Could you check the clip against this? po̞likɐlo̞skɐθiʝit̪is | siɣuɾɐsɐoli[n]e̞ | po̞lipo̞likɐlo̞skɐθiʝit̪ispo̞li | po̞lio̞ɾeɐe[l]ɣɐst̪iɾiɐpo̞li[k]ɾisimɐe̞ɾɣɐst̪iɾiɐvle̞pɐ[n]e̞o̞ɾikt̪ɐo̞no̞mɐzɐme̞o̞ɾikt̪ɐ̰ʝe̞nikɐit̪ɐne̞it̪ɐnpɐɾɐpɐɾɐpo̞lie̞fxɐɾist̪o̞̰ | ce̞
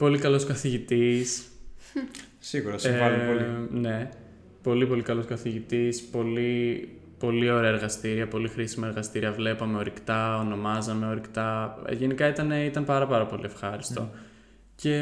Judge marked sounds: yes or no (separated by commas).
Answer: yes, no, no, no